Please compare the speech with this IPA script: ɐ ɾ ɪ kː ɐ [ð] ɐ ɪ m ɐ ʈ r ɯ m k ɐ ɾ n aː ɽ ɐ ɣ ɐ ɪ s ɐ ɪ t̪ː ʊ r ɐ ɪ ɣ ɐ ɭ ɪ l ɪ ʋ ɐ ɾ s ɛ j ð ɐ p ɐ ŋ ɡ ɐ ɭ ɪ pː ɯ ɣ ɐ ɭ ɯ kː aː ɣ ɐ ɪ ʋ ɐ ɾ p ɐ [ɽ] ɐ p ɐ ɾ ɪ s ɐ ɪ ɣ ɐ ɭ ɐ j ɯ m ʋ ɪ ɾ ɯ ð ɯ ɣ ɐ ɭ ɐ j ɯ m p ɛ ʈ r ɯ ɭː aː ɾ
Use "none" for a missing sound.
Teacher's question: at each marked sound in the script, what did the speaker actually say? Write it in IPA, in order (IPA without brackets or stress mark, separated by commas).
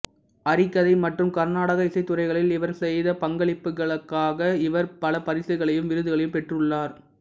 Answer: ð, l